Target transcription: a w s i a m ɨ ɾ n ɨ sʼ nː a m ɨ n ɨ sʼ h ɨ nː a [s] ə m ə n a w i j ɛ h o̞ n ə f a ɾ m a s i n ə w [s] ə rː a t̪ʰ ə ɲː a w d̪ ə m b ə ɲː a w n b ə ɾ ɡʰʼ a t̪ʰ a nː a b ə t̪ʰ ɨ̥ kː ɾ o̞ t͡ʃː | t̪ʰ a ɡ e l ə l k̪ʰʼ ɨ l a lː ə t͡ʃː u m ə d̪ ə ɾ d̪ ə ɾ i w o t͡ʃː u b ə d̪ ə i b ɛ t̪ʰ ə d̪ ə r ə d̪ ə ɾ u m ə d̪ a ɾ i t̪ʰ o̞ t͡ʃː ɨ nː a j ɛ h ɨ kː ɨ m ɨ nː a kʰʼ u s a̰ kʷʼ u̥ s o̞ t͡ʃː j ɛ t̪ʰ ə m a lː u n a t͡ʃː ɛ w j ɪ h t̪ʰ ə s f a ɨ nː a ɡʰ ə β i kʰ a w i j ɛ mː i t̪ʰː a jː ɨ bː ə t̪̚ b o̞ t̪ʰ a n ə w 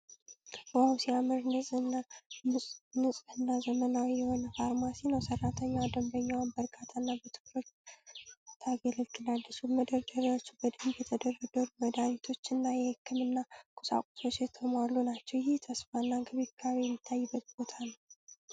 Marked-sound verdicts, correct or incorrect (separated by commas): incorrect, correct